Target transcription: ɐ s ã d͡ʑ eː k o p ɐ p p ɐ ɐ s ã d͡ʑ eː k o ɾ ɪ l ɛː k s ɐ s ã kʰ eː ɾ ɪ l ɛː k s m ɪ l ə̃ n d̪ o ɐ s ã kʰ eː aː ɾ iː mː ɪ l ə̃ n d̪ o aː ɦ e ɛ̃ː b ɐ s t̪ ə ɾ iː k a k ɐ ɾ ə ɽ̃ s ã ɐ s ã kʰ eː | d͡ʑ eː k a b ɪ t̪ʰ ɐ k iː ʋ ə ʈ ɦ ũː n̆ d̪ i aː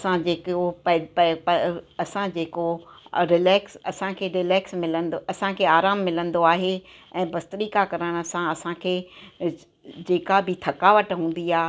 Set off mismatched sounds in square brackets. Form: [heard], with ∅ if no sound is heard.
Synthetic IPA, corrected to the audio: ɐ s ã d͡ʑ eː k o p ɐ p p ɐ ɐ s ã d͡ʑ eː k o ɾ ɪ l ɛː k s ɐ s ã kʰ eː ɾ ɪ l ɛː k s m ɪ l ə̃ n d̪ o ɐ s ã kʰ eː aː ɾ [aː] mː ɪ l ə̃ n d̪ o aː ɦ e ɛ̃ː b ɐ s t̪ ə ɾ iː k a k ɐ ɾ ə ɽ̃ s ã ɐ s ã kʰ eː | d͡ʑ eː k a b ɪ t̪ʰ ɐ k [aː] ʋ ə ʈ ɦ ũː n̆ d̪ i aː